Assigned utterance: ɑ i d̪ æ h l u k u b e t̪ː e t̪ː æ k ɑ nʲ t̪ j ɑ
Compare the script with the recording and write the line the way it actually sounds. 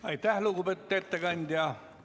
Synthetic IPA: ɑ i t̪ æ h l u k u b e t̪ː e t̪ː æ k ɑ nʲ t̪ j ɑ